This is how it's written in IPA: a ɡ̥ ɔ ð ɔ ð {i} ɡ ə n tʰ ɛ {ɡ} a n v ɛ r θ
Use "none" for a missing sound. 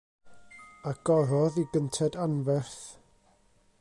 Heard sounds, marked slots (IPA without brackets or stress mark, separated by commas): i, d